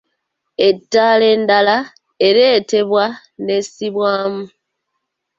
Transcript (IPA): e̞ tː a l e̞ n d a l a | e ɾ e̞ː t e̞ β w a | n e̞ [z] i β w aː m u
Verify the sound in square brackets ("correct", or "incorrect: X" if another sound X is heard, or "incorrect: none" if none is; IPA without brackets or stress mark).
incorrect: s